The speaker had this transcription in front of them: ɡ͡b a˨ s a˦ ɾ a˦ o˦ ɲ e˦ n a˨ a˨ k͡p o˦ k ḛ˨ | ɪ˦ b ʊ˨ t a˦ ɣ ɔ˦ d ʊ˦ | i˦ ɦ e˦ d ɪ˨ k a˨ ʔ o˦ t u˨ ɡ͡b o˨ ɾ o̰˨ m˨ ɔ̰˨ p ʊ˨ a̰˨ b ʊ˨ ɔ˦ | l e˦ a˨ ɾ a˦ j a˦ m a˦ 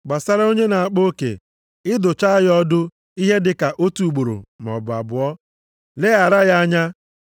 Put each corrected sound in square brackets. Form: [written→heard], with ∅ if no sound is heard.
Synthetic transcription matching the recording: ɡ͡b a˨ s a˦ ɾ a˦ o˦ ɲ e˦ n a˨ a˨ k͡p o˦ k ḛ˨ | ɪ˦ [b→d] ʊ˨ [t→t͡ʃ] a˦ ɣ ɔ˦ d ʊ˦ | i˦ ɦ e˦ d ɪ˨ k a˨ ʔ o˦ t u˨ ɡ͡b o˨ ɾ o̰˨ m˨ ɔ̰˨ [p→b] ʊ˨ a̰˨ b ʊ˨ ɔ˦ | l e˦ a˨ ɾ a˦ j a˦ [m→ɲ] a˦